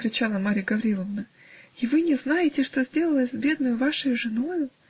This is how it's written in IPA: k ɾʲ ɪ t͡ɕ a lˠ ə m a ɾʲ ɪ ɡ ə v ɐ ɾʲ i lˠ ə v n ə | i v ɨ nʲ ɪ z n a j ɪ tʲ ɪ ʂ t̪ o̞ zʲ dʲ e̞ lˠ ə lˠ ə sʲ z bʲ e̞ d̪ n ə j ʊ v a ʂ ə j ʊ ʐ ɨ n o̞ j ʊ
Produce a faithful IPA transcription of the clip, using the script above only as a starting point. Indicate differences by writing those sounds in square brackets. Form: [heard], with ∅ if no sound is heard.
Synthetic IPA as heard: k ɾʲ ɪ t͡ɕ a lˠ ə m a ɾʲ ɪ ɡ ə v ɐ ɾʲ i lˠ ə v n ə | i v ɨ nʲ ɪ z n a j ɪ tʲ ɪ ʂ t̪ o̞ zʲ dʲ e̞ lˠ ə lˠ ə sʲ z bʲ e̞ d̪ n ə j ʊ v a ʂ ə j ʊ ʐ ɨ n o̞ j ʊ

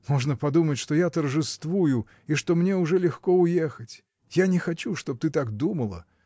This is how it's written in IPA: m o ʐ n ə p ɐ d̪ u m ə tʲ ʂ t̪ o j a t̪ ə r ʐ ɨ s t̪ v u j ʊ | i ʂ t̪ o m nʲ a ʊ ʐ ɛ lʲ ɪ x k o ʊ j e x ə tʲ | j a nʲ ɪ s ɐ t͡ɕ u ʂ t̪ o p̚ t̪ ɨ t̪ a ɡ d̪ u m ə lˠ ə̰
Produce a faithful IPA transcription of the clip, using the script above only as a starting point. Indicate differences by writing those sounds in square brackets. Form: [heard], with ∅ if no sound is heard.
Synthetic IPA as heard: m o ʐ n ə p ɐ d̪ u m ə tʲ ʂ t̪ o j a t̪ ə r ʐ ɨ s t̪ v u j ʊ | i ʂ t̪ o m nʲ [e] ʊ ʐ ɛ lʲ ɪ x k o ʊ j e x ə tʲ | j a nʲ ɪ [x] ɐ t͡ɕ u ʂ t̪ o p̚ t̪ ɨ t̪ a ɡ d̪ u m ə lˠ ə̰

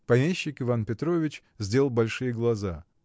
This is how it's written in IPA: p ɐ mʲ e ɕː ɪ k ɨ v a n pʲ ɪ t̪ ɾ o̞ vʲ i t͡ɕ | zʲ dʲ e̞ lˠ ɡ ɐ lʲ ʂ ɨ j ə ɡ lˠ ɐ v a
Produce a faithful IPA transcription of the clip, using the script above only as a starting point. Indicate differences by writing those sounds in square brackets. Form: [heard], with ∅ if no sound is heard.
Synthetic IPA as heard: p ɐ mʲ e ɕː ɪ k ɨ v a n pʲ ɪ t̪ ɾ o̞ vʲ [ɪ] t͡ɕ | zʲ dʲ e̞ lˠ [b] ɐ lʲ ʂ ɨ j ə ɡ lˠ ɐ [z] a

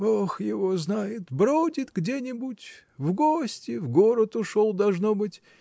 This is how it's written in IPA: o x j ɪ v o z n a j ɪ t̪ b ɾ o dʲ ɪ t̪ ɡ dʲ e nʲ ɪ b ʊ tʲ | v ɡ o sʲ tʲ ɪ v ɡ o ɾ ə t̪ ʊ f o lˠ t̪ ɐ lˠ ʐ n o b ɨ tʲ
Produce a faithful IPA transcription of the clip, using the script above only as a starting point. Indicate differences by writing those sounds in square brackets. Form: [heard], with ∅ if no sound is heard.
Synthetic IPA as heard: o x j ɪ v o z n a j ɪ t̪ b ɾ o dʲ ɪ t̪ ɡ dʲ e nʲ ɪ b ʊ tʲ | v ɡ o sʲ tʲ ɪ v ɡ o ɾ ə t̪ ʊ [ʂ] o lˠ [d̪] ɐ lˠ ʐ n o b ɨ tʲ

